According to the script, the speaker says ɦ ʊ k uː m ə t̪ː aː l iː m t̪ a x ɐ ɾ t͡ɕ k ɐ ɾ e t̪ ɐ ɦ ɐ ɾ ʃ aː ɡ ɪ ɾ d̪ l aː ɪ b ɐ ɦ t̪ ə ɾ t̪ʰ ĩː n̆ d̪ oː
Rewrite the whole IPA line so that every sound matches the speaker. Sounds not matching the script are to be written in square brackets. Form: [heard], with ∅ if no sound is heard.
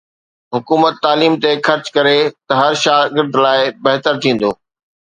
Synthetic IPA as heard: ɦ ʊ k uː m ə t̪ː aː l iː m t̪ [e] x ɐ ɾ t͡ɕ k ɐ ɾ e t̪ ɐ ɦ ɐ ɾ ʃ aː ɡ ɪ ɾ d̪ l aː ɪ b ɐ ɦ t̪ ə ɾ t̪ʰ ĩː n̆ d̪ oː